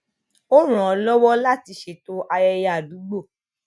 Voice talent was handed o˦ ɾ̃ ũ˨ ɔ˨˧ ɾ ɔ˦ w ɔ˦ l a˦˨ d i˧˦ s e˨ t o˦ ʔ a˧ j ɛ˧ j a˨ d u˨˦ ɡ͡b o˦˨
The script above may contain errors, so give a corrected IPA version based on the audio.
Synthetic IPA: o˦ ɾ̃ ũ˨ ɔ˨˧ l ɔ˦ w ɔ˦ l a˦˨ t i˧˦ ʃ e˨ t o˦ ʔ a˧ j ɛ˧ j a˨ d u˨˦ ɡ͡b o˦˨